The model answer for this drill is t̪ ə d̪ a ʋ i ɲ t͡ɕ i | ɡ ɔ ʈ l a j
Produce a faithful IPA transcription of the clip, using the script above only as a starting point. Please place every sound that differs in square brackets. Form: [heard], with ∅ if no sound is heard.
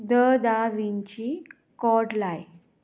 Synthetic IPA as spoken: [d̪] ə d̪ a ʋ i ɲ t͡ɕ i | [k] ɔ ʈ l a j